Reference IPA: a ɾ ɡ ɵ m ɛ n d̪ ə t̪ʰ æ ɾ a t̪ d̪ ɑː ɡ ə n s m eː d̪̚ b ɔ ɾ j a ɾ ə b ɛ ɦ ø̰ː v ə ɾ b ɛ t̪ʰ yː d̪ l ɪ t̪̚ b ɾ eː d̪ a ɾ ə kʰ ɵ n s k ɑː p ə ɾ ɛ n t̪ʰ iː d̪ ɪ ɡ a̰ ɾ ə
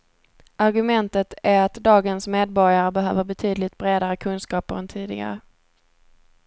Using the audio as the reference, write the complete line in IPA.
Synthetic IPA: a ɾ ɡ ɵ m ɛ n t̪ ə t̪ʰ æ ɾ a t̪ d̪ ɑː ɡ ə n s m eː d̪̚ b ɔ ɾ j a ɾ ə b ɛ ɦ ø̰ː v ə ɾ b ɛ t̪ʰ yː d̪ l ɪ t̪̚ b ɾ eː d̪ a ɾ ə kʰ ɵ n s k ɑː p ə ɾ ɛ n t̪ʰ iː d̪ ɪ ɡ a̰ ɾ ə